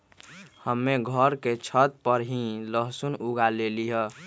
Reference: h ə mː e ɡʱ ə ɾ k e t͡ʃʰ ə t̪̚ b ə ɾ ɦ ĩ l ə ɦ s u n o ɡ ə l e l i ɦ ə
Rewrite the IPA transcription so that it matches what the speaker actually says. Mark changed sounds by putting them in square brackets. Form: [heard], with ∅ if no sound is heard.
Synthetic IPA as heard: h ə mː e ɡʱ ə ɾ k e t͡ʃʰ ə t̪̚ [p] ə ɾ ɦ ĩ l ə ɦ s u n [u] ɡ [a] l e l i ɦ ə

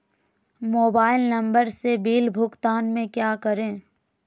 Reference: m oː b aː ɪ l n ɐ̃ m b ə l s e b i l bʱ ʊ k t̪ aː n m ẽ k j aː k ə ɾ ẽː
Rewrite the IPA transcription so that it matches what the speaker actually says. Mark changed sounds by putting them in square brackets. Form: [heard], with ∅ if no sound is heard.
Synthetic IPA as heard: m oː b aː ɪ l n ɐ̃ m b ə [ɾ] s e b [iː] l bʱ ʊ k t̪ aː n m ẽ k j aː k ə ɾ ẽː

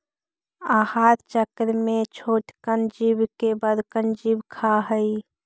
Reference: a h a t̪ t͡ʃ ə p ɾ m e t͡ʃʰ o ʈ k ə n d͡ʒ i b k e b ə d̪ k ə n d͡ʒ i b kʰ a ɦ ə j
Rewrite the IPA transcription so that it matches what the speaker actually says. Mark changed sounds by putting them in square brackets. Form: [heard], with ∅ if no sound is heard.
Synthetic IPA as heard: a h a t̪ t͡ʃ ə [k] ɾ m e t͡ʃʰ o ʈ k ə n d͡ʒ i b k e b ə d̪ k ə n d͡ʒ i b kʰ a ɦ ə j

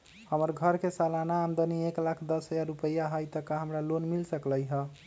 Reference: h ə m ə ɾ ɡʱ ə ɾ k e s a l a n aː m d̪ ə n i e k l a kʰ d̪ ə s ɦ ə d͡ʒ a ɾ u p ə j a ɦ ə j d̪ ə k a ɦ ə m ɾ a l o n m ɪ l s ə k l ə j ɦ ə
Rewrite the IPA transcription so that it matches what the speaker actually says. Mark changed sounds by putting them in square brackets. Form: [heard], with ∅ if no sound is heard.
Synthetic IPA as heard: h ə m ə ɾ ɡʱ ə ɾ k e s a l a n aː m d̪ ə n i e k l a kʰ d̪ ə s ɦ ə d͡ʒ a ɾ u p ə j a ɦ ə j [t̪] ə k a ɦ ə m ɾ a l o n m [i] l s ə k l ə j ɦ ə

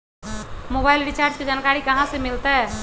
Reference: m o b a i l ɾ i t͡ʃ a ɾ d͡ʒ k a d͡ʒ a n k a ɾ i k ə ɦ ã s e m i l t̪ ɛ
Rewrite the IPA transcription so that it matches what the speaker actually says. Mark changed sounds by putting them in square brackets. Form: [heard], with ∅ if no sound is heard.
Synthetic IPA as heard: m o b a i l ɾ i t͡ʃ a ɾ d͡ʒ k [e] d͡ʒ a n k a ɾ i k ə ɦ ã s e m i l t̪ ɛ

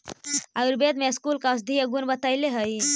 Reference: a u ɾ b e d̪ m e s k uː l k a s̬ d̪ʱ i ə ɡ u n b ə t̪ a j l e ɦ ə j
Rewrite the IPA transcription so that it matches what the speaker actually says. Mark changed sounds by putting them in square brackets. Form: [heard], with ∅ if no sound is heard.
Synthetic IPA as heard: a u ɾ b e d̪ m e s k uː l k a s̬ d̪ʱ i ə ɡ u n b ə t̪ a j l e ɦ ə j

